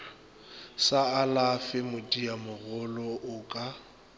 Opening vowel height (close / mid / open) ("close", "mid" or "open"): open